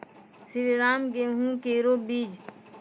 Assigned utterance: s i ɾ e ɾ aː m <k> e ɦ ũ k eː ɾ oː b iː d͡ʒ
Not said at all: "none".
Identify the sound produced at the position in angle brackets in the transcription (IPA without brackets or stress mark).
ɡ